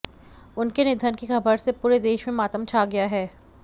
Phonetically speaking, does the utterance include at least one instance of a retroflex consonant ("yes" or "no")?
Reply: no